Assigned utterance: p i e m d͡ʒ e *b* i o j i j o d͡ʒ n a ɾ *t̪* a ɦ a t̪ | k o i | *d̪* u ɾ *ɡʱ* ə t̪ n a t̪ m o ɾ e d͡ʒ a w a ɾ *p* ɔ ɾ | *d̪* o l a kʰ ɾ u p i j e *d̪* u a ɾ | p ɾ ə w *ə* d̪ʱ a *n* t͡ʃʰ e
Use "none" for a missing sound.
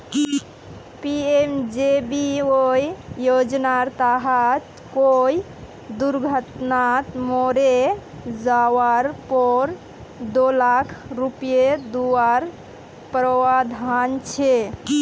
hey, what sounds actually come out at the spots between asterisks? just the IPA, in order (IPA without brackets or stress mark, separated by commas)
b, t̪, d̪, ɡʱ, p, d̪, d̪, a, n